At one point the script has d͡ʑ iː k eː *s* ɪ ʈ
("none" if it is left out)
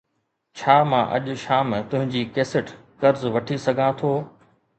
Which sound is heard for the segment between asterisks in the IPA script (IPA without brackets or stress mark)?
s